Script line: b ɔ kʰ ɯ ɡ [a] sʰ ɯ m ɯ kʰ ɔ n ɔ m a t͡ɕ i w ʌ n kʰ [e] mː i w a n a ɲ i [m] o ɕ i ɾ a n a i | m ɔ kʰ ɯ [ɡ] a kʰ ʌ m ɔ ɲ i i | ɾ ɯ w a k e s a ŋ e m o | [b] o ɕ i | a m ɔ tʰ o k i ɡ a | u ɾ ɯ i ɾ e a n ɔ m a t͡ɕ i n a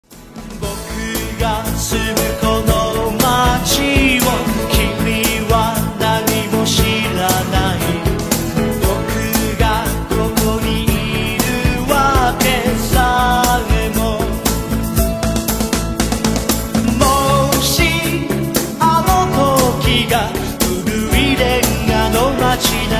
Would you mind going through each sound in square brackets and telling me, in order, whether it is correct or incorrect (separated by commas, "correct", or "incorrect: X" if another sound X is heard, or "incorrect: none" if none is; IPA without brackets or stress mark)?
correct, incorrect: i, correct, correct, incorrect: m